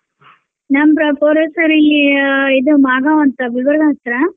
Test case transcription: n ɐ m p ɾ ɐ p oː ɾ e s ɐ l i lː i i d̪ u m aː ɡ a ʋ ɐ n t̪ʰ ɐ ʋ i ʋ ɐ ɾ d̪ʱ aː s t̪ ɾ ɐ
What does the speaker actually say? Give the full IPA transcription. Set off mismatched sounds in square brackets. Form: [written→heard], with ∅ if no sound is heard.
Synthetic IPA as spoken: n ɐ m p ɾ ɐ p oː ɾ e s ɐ [l→ɾ] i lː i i d̪ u m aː ɡ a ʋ ɐ n [t̪ʰ→t̪] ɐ ʋ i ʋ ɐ ɾ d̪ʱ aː s t̪ ɾ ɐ